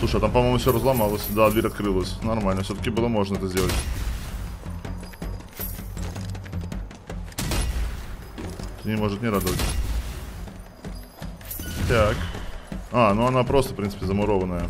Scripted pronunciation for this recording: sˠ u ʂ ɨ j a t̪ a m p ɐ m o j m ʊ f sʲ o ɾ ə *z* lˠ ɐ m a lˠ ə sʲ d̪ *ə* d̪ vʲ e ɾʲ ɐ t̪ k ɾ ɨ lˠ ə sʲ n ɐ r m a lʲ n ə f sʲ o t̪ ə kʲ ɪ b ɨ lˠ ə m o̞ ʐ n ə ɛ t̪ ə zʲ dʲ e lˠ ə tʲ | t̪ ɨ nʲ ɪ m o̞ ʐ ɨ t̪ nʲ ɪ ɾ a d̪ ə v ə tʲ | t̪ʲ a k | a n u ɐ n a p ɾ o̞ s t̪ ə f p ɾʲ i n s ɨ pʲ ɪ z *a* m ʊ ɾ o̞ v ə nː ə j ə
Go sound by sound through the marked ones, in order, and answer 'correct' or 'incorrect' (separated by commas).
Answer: correct, incorrect, incorrect